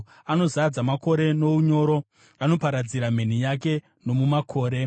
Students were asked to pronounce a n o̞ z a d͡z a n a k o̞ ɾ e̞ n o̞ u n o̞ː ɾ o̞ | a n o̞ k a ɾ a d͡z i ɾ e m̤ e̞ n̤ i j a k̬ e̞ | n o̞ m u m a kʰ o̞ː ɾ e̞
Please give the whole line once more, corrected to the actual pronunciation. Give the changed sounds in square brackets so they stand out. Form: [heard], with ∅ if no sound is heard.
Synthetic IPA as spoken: a n o̞ z a d͡z a [m] a k o̞ ɾ e̞ n o̞ u [ɲ] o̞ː ɾ o̞ | a n o̞ [p] a ɾ a d͡z i ɾ [a] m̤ e̞ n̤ i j a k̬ e̞ | n o̞ m u m a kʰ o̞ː ɾ e̞